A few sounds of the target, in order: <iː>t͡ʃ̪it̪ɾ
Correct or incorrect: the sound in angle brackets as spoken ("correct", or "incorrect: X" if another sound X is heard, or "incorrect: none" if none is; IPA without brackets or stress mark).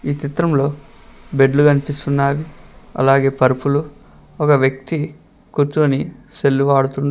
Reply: correct